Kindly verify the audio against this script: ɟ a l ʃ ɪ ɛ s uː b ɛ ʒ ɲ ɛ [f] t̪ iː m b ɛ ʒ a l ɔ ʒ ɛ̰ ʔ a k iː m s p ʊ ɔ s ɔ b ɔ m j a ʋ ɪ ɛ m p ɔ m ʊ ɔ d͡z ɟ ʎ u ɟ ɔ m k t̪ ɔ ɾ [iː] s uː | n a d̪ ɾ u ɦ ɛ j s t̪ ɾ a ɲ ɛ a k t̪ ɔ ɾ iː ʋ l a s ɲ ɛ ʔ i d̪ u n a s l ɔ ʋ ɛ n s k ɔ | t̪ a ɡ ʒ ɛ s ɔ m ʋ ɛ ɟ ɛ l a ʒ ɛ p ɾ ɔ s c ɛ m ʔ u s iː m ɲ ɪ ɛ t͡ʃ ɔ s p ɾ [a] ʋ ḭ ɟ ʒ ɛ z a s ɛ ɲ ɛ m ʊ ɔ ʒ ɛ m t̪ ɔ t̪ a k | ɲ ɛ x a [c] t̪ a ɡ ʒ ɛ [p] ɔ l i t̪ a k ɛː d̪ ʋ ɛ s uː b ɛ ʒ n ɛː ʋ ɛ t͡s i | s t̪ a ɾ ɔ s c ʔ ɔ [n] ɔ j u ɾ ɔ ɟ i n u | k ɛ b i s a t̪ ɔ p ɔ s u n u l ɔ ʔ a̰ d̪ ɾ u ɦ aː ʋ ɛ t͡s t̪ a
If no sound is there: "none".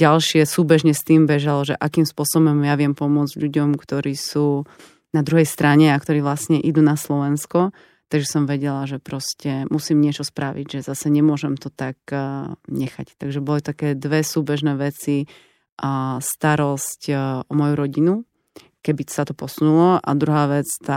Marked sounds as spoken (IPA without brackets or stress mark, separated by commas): s, iː, a, c, b, m